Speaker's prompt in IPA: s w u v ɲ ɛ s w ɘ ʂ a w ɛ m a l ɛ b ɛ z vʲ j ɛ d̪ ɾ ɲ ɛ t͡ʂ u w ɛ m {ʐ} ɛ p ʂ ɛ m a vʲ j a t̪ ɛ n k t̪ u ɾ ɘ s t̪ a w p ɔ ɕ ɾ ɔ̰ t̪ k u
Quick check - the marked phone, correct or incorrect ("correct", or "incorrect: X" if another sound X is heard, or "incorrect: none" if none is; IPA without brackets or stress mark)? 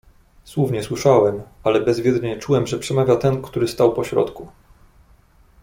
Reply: correct